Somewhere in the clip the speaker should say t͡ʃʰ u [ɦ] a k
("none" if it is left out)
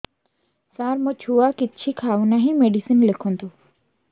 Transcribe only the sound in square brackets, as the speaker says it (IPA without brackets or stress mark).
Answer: none